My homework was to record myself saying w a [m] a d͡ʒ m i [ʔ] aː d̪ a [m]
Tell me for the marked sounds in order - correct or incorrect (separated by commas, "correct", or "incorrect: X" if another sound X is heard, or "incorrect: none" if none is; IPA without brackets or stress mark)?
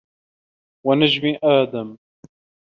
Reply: incorrect: n, correct, correct